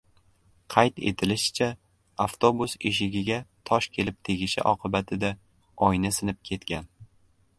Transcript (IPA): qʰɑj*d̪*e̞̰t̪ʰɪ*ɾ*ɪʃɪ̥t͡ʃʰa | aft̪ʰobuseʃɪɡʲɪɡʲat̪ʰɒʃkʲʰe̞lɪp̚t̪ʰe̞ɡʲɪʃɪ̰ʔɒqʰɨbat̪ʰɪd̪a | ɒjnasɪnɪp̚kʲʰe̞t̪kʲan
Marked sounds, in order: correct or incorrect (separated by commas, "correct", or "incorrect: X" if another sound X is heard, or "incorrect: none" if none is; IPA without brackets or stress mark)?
incorrect: t̪, incorrect: l